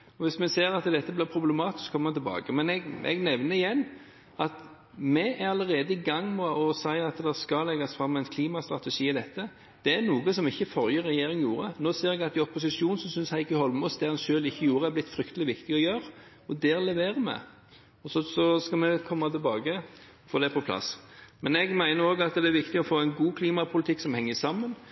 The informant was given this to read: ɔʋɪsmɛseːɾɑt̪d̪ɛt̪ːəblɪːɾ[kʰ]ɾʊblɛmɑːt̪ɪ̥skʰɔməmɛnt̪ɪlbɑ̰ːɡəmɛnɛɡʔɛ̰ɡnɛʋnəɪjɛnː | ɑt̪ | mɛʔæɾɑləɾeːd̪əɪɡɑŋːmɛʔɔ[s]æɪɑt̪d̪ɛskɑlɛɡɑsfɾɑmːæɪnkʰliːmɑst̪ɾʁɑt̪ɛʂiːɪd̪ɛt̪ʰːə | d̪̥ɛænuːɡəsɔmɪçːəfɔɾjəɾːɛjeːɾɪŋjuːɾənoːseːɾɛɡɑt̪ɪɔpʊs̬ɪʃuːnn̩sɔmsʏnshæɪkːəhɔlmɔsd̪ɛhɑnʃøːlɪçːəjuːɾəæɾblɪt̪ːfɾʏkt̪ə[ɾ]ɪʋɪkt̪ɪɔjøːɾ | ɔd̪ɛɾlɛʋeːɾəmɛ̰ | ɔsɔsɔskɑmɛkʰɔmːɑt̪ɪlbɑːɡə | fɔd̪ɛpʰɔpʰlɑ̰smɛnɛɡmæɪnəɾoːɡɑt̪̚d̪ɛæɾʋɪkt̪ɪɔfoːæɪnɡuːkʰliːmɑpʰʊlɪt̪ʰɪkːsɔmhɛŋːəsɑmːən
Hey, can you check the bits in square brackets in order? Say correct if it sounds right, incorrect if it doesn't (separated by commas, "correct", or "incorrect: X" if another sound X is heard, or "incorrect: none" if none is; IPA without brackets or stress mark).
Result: incorrect: pʰ, correct, incorrect: l